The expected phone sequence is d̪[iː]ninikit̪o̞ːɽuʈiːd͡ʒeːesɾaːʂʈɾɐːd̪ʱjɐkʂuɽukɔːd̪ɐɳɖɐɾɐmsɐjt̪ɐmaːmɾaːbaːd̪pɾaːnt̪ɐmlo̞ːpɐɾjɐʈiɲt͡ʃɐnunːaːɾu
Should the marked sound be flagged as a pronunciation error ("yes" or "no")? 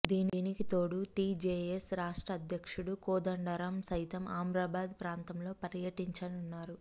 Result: no